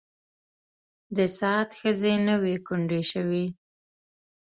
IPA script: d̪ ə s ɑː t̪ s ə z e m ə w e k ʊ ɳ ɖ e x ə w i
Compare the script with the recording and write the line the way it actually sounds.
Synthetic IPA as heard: d̪ ə s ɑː t̪ x ə z e n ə w e k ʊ ɳ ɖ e ʃ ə w i